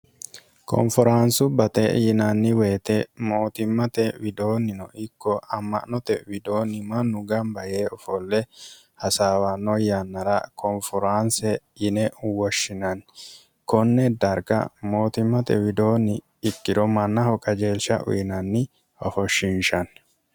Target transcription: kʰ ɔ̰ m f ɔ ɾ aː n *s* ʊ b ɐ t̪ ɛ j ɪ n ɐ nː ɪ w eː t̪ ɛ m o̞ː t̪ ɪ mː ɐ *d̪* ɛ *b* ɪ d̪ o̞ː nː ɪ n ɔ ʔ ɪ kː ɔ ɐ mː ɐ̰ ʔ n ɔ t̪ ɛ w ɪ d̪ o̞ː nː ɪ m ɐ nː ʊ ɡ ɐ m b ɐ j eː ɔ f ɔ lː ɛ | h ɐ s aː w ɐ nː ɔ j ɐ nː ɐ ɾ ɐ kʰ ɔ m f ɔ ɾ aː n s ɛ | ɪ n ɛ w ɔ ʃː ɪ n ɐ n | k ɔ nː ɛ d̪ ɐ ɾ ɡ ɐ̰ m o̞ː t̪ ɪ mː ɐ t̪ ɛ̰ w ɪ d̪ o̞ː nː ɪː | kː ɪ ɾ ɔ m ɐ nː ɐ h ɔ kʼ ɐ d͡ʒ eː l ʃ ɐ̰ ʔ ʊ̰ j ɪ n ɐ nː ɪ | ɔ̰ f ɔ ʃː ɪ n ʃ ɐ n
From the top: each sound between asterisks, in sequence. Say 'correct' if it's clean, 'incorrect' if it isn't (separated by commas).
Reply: correct, incorrect, incorrect